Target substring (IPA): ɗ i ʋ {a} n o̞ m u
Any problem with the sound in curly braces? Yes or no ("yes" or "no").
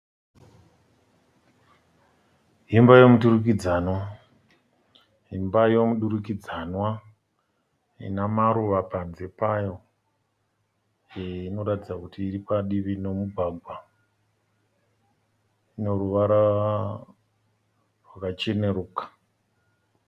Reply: yes